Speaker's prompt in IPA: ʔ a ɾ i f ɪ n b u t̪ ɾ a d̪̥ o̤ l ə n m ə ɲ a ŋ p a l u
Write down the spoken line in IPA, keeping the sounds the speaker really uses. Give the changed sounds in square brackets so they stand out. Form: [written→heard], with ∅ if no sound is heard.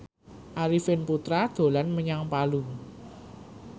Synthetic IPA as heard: ʔ a ɾ i f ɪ n [b→p] u t̪ ɾ a d̪̥ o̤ l [ə→a] n m ə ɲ a ŋ p a l u